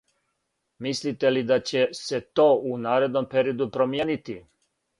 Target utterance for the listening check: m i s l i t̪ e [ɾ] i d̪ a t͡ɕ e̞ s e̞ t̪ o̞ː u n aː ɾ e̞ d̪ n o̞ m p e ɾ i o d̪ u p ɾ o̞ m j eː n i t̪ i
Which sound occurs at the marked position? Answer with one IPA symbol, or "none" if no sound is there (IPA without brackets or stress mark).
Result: l